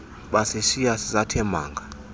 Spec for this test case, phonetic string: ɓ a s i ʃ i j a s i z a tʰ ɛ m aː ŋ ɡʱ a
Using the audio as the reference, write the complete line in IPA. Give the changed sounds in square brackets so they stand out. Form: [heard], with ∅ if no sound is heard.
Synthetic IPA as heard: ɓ a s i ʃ i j a s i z a tʰ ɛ m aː ŋ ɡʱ a